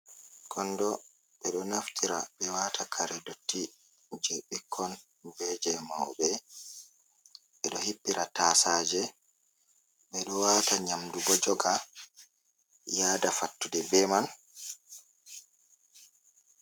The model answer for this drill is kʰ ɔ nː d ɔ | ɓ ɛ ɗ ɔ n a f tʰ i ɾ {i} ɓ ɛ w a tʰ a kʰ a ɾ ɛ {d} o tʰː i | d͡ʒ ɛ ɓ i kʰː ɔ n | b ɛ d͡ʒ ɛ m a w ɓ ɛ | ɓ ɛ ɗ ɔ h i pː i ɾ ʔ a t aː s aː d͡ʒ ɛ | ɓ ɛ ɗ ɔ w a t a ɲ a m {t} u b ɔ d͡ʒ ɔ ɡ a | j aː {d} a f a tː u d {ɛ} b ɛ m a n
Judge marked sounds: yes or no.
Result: no, yes, no, yes, yes

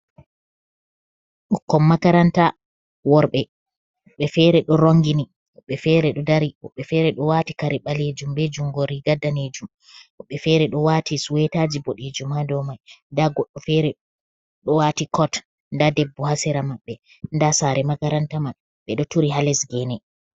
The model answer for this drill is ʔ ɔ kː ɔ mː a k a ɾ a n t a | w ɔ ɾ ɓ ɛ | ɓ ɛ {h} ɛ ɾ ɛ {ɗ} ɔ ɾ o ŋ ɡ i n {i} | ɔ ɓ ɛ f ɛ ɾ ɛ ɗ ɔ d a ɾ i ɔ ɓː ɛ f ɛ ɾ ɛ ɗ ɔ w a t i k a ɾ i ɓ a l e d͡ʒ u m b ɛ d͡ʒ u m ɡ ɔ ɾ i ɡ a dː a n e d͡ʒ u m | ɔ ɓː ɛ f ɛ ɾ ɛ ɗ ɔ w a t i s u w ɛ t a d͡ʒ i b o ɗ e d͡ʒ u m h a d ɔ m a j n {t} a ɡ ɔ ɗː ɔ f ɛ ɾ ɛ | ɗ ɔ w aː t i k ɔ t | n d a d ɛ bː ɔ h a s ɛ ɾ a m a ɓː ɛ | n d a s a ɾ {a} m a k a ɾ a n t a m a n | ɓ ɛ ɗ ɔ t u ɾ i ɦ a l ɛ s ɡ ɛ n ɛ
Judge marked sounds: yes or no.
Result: no, yes, yes, no, no

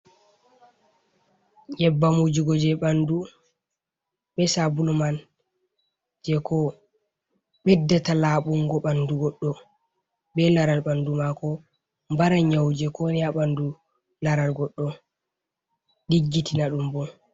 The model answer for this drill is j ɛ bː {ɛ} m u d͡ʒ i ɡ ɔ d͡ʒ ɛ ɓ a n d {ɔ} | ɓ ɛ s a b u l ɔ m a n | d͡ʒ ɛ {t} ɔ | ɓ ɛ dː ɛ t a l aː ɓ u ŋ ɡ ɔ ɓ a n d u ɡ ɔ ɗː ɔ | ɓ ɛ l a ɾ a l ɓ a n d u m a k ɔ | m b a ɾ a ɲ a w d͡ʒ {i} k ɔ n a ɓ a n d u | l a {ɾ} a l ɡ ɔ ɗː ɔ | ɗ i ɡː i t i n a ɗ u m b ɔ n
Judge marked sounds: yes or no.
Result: no, no, no, no, yes

